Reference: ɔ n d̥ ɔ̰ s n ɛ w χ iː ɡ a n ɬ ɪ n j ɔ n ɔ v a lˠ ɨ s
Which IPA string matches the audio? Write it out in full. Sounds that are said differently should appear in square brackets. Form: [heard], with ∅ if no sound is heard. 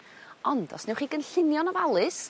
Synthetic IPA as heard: ɔ n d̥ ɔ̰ s n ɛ w χ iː ɡ [ə] n ɬ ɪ n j ɔ n ɔ v a lˠ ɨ s